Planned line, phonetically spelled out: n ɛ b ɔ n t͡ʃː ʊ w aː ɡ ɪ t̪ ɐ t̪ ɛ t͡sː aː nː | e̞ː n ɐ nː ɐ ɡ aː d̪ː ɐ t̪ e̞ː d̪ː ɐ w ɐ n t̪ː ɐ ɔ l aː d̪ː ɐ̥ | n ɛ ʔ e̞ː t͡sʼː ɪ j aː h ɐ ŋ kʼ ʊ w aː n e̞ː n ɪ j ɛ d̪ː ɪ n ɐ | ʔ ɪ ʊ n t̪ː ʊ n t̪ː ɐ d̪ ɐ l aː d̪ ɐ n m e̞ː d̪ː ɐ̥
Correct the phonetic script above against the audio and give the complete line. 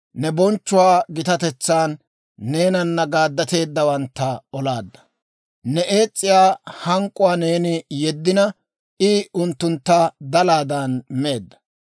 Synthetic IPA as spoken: n ɛ b ɔ n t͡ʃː ʊ w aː ɡ ɪ t̪ ɐ t̪ ɛ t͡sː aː nː | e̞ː n ɐ nː ɐ ɡ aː d̪ː ɐ t̪ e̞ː d̪ː ɐ w ɐ n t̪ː ɐ ɔ l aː d̪ː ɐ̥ | n ɛ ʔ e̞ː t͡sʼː ɪ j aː h ɐ ŋ kʼ ʊ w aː n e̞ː n ɪ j ɛ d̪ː ɪ n ɐ | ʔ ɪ ʊ n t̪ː ʊ n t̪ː ɐ d̪ ɐ l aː d̪ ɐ n m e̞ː d̪ː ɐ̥